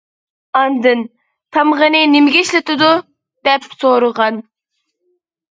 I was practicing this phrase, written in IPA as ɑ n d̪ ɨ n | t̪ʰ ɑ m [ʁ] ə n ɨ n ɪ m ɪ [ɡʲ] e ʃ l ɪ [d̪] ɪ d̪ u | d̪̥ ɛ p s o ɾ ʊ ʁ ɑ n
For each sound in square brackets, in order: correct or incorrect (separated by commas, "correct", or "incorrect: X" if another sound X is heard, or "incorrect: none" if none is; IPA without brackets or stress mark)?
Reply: correct, correct, incorrect: t̪